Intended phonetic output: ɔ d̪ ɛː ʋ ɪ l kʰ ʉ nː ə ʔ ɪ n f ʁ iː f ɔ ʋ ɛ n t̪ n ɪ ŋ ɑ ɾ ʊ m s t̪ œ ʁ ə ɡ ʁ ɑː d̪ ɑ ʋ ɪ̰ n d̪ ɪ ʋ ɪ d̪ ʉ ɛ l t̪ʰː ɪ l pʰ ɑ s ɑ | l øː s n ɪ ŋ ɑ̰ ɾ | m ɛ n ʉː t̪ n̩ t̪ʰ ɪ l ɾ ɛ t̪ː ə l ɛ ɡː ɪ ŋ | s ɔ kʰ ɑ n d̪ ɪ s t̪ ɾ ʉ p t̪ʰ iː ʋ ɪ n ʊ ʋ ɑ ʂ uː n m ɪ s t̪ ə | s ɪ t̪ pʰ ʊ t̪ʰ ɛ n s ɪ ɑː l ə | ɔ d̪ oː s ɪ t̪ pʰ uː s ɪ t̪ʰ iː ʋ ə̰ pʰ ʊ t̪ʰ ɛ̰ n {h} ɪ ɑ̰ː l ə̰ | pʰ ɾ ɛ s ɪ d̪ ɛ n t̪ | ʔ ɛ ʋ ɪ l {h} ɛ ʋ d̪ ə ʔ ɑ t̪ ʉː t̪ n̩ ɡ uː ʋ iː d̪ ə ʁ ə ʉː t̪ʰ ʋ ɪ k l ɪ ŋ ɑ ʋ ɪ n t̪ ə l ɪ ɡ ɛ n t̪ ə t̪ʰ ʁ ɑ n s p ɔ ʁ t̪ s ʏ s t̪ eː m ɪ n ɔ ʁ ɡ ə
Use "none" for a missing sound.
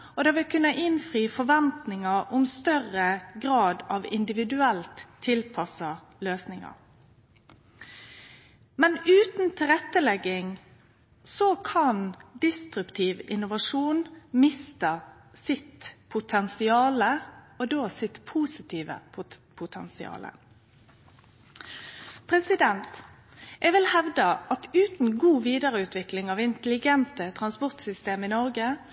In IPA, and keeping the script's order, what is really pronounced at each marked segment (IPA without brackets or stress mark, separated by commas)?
s, h